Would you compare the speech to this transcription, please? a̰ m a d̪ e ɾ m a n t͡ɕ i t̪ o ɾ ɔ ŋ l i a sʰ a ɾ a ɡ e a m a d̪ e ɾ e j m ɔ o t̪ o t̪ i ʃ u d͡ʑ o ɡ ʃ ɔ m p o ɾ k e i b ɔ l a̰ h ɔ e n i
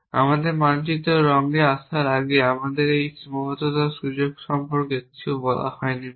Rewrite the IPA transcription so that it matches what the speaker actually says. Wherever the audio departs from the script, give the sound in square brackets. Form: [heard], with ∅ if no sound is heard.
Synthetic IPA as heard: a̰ m a d̪ e ɾ m a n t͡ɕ i t̪ o ɾ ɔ ŋ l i a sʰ a ɾ a ɡ e a m a d̪ e ɾ e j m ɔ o t̪ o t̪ [a] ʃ u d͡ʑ o ɡ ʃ ɔ m p o ɾ k e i b ɔ l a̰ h ɔ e n i